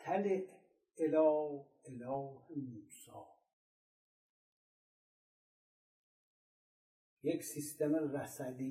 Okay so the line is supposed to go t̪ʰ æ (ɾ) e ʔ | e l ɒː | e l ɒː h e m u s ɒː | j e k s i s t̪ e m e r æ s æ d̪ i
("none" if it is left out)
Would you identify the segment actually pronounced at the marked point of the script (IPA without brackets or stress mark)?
l